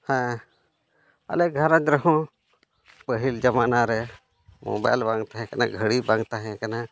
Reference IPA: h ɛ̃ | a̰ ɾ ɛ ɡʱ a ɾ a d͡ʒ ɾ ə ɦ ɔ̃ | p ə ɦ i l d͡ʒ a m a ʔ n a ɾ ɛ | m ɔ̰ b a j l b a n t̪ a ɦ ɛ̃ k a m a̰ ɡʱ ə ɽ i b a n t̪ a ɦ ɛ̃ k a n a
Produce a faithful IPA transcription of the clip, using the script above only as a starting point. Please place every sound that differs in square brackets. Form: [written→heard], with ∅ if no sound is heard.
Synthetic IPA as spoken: h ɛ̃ | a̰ [ɾ→l] ɛ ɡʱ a ɾ a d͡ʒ ɾ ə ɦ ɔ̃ | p ə ɦ i l d͡ʒ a m a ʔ n a ɾ ɛ | m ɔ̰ b a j l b a [n→ŋ] t̪ a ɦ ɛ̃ k a [m→n] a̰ ɡʱ ə ɽ i b a [n→ŋ] t̪ a ɦ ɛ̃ k a n a